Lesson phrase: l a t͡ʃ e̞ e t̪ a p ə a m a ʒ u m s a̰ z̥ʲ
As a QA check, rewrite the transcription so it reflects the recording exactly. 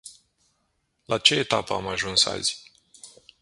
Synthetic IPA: l a t͡ʃ e̞ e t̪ a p ə a m a ʒ u n s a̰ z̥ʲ